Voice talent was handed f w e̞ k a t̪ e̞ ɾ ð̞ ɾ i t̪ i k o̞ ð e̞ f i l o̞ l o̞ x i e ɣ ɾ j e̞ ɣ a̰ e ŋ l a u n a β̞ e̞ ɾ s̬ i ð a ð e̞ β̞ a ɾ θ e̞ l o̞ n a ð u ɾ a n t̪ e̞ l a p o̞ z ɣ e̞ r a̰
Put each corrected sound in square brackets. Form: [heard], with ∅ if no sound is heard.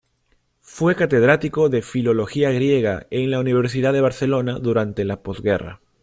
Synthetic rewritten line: f w e̞ k a t̪ e̞ [∅] ð̞ ɾ [a] t̪ i k o̞ ð e̞ f i l o̞ l o̞ x i [a] ɣ ɾ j e̞ ɣ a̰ e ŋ l a u n [i] β̞ e̞ ɾ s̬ i ð a ð e̞ β̞ a ɾ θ e̞ l o̞ n a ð u ɾ a n t̪ e̞ l a p o̞ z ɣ e̞ r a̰